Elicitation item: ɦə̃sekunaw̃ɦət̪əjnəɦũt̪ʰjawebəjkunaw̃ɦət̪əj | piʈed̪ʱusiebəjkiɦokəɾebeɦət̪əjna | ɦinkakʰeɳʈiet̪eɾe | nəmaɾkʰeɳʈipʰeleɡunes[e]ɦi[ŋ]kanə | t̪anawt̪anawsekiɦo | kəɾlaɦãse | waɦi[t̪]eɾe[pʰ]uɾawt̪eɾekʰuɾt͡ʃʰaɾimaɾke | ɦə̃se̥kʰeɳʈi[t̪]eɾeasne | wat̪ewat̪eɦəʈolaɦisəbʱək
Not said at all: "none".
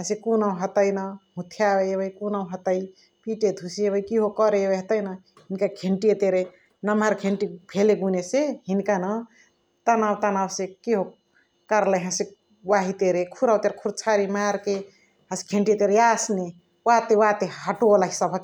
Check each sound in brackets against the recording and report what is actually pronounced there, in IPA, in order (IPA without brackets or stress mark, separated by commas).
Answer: e, n, t̪, kʰ, t̪